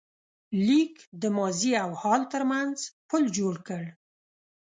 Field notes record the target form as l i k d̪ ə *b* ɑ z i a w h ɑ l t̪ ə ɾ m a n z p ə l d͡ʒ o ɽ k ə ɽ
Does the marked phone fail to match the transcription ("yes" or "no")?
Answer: yes